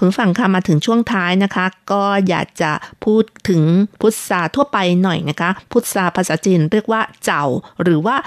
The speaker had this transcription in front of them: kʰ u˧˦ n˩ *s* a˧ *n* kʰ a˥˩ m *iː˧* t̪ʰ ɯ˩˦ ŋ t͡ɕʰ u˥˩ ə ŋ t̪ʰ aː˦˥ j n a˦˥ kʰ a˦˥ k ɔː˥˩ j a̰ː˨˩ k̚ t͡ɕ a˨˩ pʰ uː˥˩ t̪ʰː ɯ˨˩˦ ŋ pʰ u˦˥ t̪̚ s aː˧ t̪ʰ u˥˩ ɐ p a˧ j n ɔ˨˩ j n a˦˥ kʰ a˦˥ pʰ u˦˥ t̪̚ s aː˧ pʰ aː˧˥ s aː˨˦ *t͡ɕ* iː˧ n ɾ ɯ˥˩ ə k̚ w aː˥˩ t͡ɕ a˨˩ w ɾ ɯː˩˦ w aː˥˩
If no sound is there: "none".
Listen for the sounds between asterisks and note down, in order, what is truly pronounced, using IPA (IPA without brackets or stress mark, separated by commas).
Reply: f, ŋ, aː˧, t͡ɕ